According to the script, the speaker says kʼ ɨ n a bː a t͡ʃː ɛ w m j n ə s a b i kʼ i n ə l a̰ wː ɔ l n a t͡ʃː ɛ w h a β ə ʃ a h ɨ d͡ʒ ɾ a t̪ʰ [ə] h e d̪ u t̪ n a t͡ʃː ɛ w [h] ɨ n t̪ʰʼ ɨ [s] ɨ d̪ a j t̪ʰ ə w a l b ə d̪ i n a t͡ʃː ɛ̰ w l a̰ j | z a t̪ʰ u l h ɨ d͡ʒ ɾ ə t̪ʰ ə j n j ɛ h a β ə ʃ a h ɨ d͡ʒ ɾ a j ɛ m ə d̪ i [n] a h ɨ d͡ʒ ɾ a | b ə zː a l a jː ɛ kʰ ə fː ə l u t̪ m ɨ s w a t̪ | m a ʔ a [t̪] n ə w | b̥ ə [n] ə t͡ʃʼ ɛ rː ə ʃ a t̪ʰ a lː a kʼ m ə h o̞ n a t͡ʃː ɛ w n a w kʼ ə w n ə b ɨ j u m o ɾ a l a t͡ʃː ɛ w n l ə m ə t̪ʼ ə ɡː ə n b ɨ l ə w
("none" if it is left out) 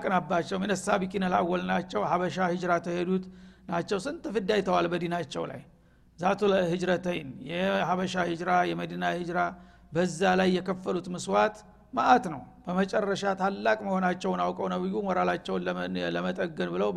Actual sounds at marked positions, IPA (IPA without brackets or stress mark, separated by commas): ə, s, f, n, t̪, m